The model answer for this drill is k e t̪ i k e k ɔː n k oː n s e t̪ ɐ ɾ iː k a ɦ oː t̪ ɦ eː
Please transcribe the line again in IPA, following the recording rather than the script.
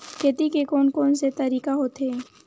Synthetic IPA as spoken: k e t̪ i k e k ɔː n k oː n s e t̪ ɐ ɾ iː k a ɦ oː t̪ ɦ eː